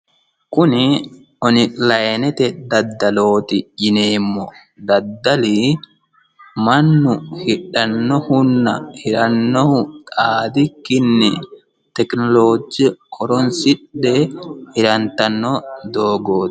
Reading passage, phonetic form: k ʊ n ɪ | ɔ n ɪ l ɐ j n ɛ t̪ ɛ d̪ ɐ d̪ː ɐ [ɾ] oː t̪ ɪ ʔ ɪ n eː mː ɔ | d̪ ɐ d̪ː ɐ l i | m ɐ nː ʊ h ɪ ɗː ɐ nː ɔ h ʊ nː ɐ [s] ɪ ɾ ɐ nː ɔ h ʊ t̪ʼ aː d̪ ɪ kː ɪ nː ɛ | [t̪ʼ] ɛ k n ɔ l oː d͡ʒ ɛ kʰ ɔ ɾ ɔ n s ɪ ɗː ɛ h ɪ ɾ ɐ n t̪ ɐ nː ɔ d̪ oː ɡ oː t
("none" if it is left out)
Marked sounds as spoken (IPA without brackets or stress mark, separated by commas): l, h, t̪